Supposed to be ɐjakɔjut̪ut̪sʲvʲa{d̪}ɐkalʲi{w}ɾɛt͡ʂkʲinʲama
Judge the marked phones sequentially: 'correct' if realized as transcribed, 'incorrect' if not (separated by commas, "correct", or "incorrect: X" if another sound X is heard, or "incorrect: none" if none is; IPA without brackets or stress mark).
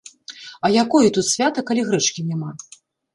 incorrect: t̪, incorrect: ɣ